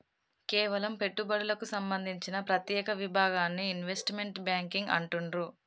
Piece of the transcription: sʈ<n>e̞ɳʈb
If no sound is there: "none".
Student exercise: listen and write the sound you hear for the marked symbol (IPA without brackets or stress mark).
m